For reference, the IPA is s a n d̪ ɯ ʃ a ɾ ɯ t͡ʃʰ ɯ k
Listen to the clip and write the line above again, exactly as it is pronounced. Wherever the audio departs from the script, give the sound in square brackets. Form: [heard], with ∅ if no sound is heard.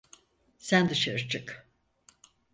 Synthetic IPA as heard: s [æ] n d̪ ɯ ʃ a ɾ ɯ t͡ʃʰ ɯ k